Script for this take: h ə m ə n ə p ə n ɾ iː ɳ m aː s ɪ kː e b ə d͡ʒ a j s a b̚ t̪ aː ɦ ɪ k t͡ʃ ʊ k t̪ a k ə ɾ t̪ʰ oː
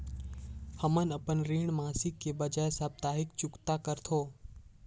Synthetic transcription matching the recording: h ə m ə n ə p ə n ɾ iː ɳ m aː s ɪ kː e b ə d͡ʒ a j s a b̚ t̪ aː ɦ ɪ k t͡ʃ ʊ k t̪ a k ə ɾ t̪ʰ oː